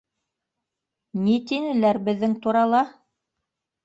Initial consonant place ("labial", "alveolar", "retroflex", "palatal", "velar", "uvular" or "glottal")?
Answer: alveolar